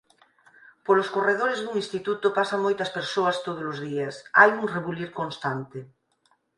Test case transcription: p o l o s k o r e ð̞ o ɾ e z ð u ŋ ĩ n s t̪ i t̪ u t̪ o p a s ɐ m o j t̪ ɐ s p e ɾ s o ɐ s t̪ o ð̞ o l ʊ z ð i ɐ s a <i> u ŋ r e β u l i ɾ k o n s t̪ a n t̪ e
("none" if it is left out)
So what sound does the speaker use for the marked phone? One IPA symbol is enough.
j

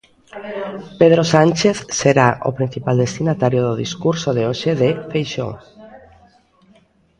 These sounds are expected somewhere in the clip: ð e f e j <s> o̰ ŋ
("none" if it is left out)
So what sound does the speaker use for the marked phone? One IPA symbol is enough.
ʃ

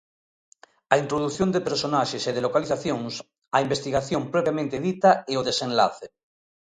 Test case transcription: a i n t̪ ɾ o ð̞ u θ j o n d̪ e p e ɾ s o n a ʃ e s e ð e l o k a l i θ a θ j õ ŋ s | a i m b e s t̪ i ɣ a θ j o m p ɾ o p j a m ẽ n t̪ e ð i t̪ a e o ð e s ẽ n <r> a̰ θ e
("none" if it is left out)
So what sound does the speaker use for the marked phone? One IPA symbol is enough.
l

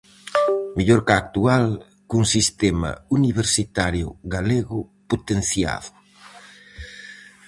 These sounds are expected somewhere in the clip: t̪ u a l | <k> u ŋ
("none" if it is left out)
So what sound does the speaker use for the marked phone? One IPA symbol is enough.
k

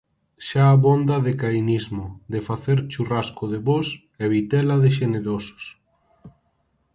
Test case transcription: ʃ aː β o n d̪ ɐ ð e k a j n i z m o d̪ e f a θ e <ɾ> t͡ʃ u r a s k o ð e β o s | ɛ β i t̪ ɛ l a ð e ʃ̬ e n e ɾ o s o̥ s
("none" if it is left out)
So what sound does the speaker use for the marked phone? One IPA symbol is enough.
ɾ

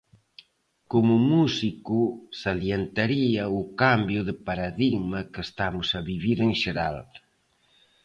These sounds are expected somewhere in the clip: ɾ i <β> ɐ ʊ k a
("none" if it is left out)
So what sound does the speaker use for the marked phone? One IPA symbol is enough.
none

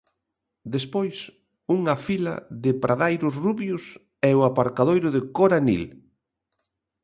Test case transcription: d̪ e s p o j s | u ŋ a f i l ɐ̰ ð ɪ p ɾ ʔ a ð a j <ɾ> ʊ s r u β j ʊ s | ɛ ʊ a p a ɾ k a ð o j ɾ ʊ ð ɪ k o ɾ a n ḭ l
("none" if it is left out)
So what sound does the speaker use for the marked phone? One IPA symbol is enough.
ɾ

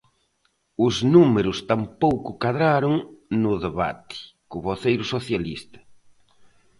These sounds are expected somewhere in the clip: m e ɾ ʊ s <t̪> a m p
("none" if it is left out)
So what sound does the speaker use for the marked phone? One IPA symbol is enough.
t̪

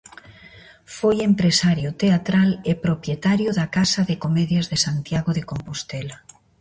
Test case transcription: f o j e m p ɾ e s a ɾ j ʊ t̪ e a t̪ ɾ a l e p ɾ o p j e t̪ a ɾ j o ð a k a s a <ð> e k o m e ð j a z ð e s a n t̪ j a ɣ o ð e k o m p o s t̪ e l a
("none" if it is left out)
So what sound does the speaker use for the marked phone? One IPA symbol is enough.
ð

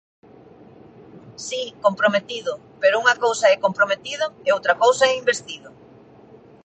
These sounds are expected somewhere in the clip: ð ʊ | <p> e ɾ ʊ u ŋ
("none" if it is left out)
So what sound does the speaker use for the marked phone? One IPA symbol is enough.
p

